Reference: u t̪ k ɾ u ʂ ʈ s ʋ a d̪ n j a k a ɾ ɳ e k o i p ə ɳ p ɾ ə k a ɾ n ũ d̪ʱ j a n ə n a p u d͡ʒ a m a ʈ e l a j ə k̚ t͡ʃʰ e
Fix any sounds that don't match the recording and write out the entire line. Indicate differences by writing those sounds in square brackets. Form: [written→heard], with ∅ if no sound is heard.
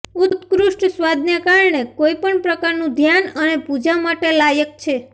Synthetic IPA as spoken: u t̪ k ɾ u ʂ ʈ s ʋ a d̪ n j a k a ɾ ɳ e k o i p ə ɳ p ɾ ə k a ɾ n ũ d̪ʱ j a n ə n [a→e] p u d͡ʒ a m a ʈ e l a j ə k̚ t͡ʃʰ e